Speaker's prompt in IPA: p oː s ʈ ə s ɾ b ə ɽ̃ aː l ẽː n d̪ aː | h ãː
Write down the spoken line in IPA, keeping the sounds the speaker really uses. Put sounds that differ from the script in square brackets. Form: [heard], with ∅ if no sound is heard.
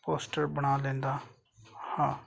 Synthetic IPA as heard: p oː s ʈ ə [∅] ɾ b ə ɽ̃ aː l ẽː n d̪ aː | h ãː